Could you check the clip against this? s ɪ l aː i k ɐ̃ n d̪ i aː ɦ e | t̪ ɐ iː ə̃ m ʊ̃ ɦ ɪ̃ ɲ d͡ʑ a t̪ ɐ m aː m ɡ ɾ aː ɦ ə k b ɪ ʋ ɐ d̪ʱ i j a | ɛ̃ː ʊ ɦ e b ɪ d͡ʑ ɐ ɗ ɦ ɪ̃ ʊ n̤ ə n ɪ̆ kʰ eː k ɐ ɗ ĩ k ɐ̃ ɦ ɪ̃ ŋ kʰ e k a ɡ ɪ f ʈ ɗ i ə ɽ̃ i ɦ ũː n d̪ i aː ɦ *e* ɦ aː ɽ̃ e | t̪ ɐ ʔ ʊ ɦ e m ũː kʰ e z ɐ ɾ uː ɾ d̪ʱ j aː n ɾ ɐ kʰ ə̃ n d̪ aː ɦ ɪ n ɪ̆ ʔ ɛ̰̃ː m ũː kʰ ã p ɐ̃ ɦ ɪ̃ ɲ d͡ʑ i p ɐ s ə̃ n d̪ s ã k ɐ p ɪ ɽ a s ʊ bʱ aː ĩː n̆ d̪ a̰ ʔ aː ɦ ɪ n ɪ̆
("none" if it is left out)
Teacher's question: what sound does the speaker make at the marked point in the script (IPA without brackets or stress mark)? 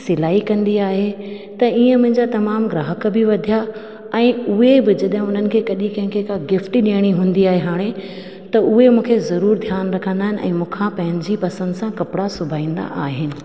e